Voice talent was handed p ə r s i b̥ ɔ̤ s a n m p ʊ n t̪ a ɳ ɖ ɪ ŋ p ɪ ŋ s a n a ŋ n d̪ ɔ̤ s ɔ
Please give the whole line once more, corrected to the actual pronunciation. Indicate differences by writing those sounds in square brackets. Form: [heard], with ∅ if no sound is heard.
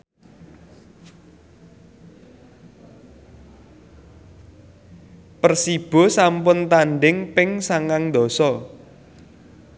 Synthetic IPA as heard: p ə r s i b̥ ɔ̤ s a [∅] m p ʊ n t̪ a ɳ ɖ ɪ ŋ p ɪ ŋ s a [ŋ] a ŋ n d̪ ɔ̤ s ɔ